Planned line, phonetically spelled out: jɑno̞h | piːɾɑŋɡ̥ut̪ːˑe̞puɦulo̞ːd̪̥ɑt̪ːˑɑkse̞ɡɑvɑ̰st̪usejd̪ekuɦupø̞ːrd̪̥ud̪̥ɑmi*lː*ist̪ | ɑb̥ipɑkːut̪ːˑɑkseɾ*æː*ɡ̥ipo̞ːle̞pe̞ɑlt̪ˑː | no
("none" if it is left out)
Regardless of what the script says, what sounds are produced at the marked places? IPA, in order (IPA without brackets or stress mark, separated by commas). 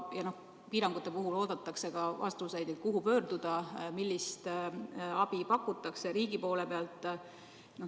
lː, iː